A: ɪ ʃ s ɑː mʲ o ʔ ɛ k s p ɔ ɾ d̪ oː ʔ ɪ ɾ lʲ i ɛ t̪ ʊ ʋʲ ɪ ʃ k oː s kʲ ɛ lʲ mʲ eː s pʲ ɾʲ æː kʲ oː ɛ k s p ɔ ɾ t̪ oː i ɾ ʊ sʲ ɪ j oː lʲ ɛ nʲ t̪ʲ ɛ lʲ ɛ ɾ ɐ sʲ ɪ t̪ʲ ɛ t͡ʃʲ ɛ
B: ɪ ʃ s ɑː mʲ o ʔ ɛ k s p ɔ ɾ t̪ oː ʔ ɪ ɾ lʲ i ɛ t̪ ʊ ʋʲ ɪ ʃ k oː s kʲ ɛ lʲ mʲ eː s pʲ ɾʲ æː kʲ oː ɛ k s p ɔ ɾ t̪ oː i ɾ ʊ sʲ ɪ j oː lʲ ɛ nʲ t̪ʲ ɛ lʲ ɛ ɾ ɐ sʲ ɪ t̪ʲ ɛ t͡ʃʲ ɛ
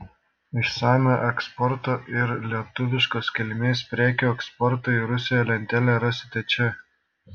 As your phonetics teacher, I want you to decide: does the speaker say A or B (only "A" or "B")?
B